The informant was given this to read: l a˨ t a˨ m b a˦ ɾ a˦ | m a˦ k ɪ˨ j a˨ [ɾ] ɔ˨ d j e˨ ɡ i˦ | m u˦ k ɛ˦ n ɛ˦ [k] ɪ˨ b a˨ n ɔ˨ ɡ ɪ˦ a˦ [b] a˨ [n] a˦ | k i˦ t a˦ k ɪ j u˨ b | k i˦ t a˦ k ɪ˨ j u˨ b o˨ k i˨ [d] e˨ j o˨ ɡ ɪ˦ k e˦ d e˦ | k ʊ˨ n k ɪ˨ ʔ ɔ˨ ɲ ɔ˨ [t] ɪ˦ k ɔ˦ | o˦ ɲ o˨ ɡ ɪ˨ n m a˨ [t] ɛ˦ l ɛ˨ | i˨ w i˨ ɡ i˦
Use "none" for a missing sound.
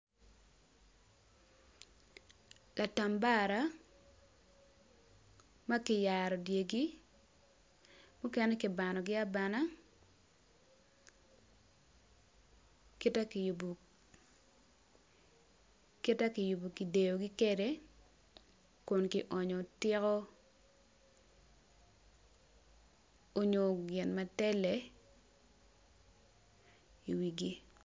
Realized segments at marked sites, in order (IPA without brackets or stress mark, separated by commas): ɾ, k, b, n, d, t, t